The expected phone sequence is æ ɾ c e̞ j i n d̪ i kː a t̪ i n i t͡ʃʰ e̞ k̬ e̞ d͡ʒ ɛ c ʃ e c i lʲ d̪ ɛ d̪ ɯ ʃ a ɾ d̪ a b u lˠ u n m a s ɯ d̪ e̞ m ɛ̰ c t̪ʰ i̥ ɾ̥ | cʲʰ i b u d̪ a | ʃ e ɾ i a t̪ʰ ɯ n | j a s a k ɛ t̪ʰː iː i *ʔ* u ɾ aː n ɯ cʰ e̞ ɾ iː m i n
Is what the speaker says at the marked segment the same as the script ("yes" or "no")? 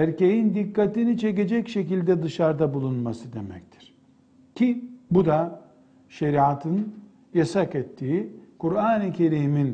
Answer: no